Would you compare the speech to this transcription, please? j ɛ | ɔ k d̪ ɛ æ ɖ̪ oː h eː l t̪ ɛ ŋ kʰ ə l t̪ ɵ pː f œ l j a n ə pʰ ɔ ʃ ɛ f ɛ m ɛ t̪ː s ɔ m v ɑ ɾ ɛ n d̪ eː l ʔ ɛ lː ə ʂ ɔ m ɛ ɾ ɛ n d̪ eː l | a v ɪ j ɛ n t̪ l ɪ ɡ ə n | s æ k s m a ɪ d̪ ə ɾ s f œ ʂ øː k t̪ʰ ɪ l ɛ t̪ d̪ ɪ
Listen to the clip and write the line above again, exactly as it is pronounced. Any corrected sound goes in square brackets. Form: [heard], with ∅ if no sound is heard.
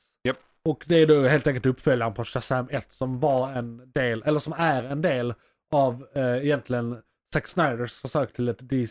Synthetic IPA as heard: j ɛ | ɔ k d̪ ɛ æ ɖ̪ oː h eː l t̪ ɛ ŋ [k] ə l t̪ ɵ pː f œ l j a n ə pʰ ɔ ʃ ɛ [s] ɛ m ɛ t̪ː s ɔ m v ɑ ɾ ɛ n d̪ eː l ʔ ɛ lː ə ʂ ɔ m [æ] ɾ ɛ n d̪ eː l | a v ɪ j ɛ n t̪ l ɪ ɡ ə n | s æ k s [n] a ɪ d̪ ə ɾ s f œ ʂ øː k t̪ʰ ɪ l ɛ t̪ d̪ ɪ